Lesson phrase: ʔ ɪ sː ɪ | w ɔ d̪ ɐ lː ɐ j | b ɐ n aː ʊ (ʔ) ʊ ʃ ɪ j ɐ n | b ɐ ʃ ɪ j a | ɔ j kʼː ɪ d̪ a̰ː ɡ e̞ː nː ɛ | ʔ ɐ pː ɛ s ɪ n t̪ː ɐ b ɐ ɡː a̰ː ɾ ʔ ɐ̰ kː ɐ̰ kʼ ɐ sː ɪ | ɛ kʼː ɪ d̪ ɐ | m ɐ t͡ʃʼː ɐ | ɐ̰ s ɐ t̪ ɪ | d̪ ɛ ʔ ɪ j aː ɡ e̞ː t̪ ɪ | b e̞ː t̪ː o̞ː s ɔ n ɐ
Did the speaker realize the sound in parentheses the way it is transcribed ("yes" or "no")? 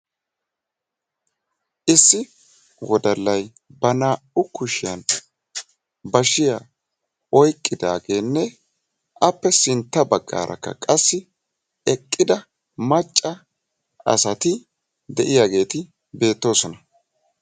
no